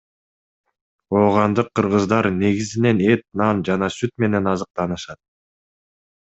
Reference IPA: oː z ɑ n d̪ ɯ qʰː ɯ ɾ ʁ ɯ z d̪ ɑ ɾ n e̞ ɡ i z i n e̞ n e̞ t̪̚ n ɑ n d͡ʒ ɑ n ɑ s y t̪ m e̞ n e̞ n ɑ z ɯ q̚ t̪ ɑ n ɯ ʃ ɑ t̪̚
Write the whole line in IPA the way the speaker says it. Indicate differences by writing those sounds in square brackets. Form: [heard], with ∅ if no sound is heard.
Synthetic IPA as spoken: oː [ʁ] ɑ n d̪ ɯ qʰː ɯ ɾ ʁ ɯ z d̪ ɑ ɾ n e̞ ɡ i z i n e̞ n e̞ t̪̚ n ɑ n d͡ʒ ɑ n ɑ s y t̪ m e̞ n e̞ n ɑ z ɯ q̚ t̪ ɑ n ɯ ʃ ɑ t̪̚

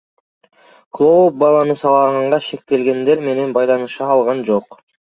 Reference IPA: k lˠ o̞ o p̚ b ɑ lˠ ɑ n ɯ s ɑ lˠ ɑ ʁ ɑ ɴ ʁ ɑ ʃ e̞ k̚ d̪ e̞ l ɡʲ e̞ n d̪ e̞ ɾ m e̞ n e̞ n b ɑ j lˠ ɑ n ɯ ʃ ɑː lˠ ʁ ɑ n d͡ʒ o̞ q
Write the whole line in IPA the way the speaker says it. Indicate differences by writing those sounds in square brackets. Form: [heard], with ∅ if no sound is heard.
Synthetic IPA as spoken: k lˠ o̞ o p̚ b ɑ lˠ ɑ n ɯ s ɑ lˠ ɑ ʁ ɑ ɴ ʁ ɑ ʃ e̞ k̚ [t̪] e̞ l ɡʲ e̞ n d̪ e̞ ɾ m e̞ n e̞ n b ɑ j lˠ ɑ n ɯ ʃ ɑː lˠ ʁ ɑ n d͡ʒ o̞ q

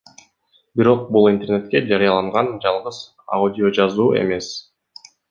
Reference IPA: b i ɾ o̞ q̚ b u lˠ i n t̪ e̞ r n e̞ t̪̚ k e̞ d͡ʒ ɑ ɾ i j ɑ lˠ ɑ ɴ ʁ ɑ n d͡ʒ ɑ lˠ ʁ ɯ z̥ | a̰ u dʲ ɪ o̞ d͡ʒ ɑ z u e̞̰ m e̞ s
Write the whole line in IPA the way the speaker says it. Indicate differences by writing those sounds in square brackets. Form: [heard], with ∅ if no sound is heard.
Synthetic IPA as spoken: b i ɾ o̞ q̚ b u lˠ i n t̪ e̞ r n e̞ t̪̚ k e̞ d͡ʒ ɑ ɾ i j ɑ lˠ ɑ ɴ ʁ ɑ n d͡ʒ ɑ lˠ ʁ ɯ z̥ | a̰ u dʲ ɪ o̞ d͡ʒ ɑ z [uː] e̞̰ m e̞ s

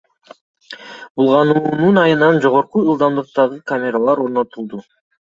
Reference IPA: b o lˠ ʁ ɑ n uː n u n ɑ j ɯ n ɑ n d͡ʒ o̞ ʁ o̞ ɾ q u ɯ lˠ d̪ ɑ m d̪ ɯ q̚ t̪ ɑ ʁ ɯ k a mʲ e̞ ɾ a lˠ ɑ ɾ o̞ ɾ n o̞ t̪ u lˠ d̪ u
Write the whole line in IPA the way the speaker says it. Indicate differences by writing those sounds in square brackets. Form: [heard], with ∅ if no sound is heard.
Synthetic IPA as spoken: b [u] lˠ ʁ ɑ n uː n u n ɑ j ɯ n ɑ n d͡ʒ o̞ ʁ o̞ ɾ q u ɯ lˠ d̪ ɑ m d̪ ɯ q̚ t̪ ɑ ʁ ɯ k a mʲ e̞ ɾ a lˠ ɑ ɾ o̞ ɾ n o̞ t̪ u lˠ d̪ u

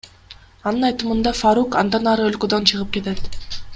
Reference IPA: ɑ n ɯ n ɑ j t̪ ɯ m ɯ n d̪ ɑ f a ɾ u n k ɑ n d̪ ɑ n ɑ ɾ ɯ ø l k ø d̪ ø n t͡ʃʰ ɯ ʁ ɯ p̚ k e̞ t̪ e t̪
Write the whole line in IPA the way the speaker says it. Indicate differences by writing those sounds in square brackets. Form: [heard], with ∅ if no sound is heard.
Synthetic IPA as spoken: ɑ n ɯ n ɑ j t̪ ɯ m ɯ n d̪ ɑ f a ɾ u [∅] k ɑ n d̪ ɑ n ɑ ɾ ɯ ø l k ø d̪ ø n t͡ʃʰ ɯ ʁ ɯ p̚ k e̞ t̪ e t̪

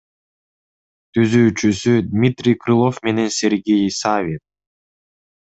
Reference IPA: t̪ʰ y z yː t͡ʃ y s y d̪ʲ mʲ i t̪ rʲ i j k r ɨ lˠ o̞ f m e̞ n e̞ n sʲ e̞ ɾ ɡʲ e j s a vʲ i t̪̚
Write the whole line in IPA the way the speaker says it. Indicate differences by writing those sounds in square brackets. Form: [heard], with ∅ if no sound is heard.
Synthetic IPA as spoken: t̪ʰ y z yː t͡ʃ y s y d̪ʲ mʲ i t̪ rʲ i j k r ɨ lˠ o̞ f m e̞ n e̞ n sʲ e̞ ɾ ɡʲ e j s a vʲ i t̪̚

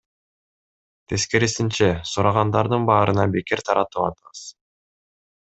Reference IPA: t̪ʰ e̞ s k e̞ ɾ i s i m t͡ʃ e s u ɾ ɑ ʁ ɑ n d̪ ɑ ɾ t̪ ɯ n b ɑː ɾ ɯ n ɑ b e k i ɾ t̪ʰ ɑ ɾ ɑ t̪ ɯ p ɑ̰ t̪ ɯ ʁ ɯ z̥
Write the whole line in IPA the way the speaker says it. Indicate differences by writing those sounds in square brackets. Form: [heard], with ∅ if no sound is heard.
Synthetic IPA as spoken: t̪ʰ e̞ s k e̞ ɾ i s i [n] t͡ʃ e s u ɾ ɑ ʁ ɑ n d̪ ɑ ɾ [d̪] ɯ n b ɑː ɾ ɯ n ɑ b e k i ɾ t̪ʰ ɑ ɾ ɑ t̪ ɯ p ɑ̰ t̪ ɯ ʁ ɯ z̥

